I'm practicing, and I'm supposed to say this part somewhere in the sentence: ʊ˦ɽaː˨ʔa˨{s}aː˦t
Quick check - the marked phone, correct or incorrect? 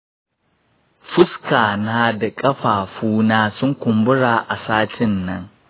correct